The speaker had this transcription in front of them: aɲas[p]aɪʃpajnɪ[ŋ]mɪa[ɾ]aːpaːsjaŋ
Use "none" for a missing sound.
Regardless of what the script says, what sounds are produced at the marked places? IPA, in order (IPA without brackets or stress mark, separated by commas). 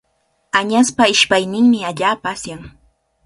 p, ŋ, ʎ